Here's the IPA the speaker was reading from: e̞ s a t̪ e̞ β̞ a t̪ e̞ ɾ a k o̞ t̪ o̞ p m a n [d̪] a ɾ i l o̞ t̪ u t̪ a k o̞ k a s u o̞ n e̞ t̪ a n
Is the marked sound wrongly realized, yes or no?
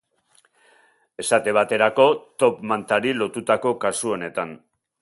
yes